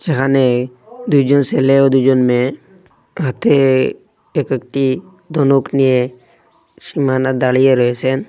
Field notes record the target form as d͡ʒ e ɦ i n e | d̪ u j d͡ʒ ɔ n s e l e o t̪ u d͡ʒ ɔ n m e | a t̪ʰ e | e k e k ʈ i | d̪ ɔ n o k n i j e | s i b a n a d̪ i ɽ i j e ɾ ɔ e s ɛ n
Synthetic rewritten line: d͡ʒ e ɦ a n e | d̪ u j d͡ʒ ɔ n s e l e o d̪ u d͡ʒ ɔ n m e | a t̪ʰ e | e k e k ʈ i | d̪ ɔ n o k n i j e | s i m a n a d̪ a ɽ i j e ɾ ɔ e s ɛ n